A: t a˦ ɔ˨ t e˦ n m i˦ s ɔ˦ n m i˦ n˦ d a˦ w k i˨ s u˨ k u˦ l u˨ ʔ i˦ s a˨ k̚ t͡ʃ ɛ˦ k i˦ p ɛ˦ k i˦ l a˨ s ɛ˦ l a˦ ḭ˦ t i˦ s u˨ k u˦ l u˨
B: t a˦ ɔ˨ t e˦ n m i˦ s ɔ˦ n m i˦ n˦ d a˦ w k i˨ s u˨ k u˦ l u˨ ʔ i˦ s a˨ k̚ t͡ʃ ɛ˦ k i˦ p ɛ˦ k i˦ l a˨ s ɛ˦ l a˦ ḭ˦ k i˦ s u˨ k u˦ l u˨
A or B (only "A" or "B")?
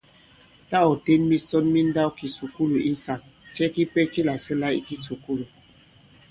B